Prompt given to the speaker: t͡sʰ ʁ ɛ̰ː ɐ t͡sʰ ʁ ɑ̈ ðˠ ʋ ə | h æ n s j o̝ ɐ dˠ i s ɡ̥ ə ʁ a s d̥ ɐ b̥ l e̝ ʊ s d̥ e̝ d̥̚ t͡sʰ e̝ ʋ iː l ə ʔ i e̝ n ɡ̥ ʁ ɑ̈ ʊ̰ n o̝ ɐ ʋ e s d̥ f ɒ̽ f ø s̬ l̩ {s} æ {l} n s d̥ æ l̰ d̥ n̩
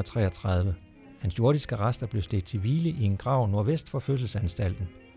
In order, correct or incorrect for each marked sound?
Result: correct, incorrect: none

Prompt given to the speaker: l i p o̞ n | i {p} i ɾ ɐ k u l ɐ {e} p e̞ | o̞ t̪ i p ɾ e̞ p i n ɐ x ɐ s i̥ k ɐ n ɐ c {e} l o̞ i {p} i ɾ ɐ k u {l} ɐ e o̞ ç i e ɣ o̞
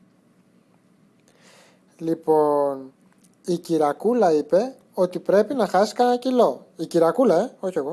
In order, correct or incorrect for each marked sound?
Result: incorrect: c, incorrect: i, incorrect: i, incorrect: c, correct

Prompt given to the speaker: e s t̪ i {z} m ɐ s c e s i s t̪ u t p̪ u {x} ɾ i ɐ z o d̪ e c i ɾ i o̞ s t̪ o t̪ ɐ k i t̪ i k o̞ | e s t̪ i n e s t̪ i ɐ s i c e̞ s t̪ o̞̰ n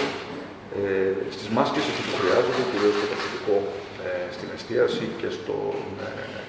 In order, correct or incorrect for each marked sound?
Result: correct, correct

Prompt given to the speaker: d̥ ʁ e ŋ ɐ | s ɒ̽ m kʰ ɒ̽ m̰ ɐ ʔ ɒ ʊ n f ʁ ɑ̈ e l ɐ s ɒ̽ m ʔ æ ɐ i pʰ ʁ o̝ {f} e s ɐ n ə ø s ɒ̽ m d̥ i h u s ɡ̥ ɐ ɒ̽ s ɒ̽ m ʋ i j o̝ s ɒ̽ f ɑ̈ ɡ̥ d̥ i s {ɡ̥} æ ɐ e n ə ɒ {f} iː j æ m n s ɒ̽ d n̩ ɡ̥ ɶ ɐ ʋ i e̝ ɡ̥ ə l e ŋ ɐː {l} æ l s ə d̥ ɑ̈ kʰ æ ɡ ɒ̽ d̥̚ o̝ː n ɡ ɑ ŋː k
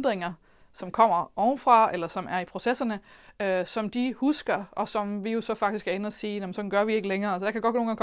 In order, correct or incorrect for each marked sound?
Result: incorrect: s, correct, incorrect: s, incorrect: none

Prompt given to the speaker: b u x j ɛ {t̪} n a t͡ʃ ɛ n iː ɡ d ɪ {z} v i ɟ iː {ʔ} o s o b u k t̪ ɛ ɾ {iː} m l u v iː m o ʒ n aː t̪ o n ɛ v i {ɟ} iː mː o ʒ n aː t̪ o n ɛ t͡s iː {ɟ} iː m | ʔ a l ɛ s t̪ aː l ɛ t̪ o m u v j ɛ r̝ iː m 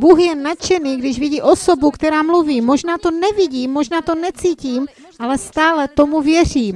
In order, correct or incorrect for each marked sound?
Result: incorrect: none, incorrect: ʒ, correct, incorrect: aː, correct, incorrect: c

